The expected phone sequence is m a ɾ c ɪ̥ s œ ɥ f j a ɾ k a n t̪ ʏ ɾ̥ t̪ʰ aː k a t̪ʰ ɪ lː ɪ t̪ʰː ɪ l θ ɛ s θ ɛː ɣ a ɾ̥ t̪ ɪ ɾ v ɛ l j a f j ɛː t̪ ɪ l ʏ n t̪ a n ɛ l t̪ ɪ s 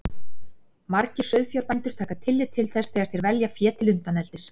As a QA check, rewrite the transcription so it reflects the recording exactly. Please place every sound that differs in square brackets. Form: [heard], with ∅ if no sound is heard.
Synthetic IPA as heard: m a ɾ c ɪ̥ s œ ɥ f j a ɾ [p] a n t̪ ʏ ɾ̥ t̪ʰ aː k a t̪ʰ ɪ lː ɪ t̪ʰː ɪ l θ ɛ s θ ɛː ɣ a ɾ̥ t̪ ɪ ɾ v ɛ l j a f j ɛː t̪ ɪ l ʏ n t̪ a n ɛ l t̪ ɪ s